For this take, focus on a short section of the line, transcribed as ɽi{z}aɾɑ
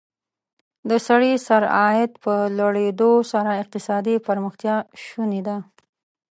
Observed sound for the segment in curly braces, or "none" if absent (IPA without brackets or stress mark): s